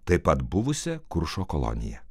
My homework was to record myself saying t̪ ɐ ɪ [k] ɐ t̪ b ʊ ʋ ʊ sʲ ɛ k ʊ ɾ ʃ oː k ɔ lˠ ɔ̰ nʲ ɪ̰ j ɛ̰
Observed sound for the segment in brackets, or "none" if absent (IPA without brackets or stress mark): p